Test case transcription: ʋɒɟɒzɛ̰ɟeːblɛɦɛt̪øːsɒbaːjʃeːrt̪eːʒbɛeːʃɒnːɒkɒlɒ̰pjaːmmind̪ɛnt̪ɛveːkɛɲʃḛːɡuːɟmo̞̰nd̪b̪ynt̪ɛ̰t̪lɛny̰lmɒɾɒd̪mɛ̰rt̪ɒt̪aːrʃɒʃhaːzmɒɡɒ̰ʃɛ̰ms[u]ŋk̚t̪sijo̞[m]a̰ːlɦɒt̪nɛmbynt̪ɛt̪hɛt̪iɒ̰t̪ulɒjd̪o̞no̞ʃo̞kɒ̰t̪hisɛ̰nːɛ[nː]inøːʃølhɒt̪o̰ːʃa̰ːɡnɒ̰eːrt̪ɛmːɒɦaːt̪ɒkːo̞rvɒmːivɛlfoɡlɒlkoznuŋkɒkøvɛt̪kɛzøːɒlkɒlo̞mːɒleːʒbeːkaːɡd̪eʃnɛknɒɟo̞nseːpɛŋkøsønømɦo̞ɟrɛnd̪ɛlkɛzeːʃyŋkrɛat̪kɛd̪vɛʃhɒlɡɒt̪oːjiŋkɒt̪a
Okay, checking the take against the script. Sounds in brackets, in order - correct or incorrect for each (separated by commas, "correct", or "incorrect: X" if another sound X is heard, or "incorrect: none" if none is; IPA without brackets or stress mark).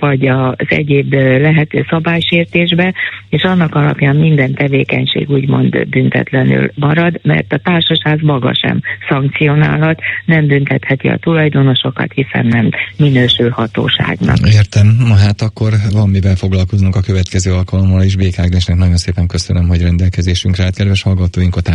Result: incorrect: ɒ, incorrect: n, incorrect: mː